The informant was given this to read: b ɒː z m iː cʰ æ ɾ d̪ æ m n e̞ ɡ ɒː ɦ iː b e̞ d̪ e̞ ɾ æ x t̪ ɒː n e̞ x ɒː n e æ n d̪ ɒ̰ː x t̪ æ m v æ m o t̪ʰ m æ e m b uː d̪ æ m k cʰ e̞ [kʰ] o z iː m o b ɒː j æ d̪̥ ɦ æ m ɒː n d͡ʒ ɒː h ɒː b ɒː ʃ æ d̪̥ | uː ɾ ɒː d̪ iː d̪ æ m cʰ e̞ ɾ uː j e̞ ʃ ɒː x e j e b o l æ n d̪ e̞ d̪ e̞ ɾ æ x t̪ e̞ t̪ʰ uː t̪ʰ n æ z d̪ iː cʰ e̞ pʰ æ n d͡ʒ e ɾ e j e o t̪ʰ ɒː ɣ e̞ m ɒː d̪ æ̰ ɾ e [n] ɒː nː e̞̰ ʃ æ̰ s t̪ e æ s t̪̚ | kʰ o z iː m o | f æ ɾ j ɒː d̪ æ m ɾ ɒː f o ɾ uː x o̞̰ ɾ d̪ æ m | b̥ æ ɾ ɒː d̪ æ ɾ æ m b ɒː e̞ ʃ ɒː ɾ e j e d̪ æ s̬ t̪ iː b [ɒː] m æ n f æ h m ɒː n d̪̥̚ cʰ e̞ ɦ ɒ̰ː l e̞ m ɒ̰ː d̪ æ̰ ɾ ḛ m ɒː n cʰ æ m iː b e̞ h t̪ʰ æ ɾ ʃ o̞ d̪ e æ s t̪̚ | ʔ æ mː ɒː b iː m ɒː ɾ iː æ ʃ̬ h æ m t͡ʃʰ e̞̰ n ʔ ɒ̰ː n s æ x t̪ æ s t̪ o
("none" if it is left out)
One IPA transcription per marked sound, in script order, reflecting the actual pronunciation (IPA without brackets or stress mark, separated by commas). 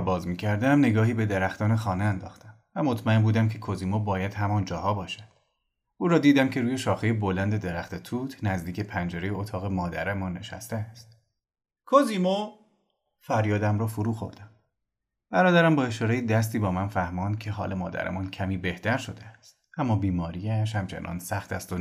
kʰ, m, ɒː